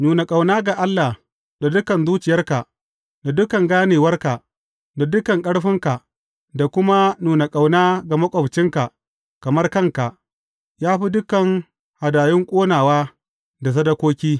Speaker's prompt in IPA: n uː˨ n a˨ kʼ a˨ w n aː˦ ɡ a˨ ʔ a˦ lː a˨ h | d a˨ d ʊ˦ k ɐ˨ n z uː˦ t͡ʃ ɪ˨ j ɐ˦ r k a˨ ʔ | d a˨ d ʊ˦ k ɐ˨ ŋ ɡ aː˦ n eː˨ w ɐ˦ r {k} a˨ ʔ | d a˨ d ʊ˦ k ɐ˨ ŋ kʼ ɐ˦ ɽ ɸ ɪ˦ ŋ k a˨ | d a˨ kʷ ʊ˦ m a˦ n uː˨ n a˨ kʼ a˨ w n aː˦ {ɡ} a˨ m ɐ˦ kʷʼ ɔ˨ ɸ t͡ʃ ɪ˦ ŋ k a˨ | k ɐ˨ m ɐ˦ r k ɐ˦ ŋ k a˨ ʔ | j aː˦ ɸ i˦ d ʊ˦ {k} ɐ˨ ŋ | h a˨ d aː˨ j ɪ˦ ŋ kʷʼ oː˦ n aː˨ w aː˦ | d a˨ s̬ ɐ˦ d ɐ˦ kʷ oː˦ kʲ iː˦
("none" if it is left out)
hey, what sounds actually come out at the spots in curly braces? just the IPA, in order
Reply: k, ɡ, k

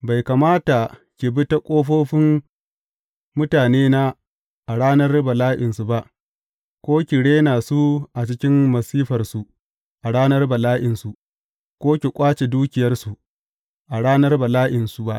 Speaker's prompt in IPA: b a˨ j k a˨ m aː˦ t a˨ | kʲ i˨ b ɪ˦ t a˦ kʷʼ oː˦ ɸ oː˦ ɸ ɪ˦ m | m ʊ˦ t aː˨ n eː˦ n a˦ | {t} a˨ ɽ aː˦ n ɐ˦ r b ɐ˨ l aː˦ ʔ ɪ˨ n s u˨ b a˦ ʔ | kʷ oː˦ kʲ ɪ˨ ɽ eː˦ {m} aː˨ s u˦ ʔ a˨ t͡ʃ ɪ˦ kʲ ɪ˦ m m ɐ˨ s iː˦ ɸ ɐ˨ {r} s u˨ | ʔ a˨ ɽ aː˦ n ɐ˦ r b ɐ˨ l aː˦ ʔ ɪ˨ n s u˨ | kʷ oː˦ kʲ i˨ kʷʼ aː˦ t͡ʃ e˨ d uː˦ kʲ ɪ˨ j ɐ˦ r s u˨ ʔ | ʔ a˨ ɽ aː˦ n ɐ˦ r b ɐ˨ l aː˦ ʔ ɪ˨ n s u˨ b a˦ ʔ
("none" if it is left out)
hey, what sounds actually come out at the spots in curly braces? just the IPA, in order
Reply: ʔ, n, r

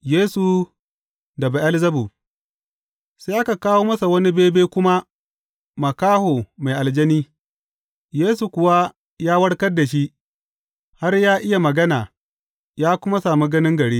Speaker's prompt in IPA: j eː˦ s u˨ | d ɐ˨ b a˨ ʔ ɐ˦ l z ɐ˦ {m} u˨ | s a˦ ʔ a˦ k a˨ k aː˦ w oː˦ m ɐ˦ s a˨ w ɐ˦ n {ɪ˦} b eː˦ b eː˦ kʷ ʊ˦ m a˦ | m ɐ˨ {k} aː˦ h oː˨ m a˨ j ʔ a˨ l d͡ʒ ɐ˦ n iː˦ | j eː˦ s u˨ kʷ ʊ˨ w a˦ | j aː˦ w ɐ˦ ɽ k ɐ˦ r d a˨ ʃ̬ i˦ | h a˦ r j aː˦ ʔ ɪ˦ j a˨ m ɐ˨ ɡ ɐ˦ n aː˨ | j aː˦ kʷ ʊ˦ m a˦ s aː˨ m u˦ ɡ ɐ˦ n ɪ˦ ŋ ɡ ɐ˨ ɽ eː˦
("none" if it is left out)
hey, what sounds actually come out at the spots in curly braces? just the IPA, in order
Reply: b, i˦, k

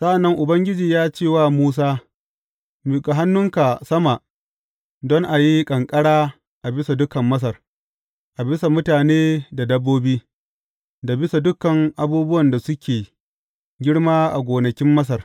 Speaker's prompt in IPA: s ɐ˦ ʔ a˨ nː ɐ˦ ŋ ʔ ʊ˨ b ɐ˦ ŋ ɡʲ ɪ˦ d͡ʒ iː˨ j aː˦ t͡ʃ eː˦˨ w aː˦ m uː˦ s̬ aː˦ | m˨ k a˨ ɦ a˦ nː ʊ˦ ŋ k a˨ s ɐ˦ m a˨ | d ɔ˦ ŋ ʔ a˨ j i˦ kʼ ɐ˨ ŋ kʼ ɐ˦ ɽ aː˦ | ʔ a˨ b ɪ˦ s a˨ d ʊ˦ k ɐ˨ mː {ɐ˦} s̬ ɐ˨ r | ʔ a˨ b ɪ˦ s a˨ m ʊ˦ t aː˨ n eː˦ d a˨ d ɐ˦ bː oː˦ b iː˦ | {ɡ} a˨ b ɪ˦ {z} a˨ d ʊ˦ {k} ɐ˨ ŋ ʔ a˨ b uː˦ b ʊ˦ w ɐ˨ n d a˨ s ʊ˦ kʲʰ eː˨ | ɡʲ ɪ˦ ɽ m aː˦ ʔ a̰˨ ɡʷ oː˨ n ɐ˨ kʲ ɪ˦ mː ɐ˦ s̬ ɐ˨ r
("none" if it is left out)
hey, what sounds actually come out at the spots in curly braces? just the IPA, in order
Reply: ɐ˦, d, s, k

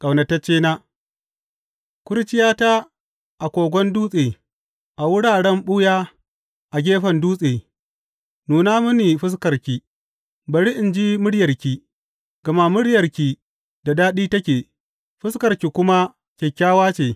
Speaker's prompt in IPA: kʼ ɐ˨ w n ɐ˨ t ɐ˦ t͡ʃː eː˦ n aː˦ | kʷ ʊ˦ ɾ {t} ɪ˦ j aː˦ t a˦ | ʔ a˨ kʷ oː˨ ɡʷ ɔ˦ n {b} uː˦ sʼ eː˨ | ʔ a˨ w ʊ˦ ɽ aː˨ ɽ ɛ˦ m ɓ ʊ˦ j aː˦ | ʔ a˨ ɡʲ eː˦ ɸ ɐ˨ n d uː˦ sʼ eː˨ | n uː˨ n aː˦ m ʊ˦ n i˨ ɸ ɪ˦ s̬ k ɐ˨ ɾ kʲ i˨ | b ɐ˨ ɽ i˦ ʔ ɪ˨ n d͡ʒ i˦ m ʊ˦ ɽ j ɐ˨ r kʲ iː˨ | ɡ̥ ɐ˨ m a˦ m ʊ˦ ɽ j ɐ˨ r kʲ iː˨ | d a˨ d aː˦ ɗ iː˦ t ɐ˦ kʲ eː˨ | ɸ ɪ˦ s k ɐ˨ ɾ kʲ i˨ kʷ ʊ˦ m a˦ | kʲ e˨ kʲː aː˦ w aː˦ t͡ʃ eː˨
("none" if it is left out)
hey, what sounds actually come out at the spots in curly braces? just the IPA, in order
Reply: t͡ʃ, d

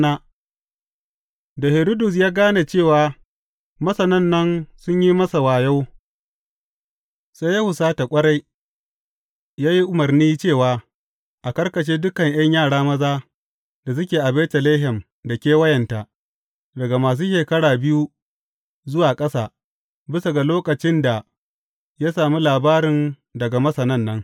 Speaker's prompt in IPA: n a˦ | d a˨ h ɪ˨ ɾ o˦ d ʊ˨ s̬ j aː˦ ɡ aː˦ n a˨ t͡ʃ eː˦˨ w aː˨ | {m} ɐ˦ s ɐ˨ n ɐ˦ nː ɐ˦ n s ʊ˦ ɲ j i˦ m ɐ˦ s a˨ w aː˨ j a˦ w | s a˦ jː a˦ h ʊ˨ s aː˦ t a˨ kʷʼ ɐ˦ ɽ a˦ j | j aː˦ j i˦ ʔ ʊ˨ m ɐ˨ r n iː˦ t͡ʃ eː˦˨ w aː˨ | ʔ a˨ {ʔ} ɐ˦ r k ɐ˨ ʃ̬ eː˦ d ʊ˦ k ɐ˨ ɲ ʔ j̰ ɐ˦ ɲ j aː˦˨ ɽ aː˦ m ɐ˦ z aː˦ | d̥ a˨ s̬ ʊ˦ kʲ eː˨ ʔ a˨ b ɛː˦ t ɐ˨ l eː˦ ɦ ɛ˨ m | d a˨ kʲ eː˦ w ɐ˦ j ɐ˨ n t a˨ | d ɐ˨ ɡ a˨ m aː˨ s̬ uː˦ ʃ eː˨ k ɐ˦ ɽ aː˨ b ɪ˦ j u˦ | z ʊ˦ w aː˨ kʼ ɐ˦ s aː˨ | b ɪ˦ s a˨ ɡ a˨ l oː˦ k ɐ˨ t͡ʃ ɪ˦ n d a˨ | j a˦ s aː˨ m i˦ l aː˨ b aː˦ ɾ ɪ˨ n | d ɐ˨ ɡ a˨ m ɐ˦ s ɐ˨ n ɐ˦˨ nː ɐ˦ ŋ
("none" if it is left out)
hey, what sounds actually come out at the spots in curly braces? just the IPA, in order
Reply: m, k

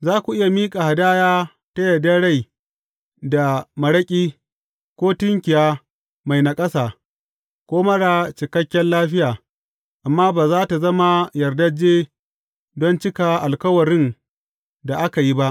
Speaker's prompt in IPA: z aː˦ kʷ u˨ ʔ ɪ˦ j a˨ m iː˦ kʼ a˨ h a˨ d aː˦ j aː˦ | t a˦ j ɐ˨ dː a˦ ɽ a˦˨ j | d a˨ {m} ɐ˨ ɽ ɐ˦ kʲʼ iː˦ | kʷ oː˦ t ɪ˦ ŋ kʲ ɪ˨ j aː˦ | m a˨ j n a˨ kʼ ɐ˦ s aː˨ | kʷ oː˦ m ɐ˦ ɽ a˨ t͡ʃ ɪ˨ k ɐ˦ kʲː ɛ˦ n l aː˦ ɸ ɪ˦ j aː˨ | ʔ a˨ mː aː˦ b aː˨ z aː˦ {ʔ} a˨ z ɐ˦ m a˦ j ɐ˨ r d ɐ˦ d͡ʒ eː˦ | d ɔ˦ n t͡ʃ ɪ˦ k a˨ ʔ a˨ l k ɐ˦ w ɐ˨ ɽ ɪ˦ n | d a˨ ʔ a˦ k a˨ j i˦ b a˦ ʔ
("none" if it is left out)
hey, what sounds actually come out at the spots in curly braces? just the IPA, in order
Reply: m, t

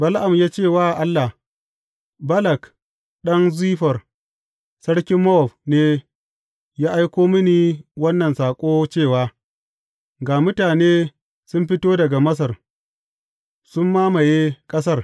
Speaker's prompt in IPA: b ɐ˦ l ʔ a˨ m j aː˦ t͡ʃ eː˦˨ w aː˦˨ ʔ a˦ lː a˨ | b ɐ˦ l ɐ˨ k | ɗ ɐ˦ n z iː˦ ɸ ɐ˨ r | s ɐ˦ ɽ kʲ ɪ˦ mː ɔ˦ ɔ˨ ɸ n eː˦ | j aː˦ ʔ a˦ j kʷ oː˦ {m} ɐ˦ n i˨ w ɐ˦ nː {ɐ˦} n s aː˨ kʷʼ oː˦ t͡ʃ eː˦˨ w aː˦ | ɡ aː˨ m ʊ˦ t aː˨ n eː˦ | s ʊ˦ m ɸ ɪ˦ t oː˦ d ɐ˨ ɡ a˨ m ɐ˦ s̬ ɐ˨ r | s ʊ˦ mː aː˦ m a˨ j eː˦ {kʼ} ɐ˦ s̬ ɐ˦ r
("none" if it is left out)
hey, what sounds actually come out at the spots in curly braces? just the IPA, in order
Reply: m, ɐ˨, kʼ

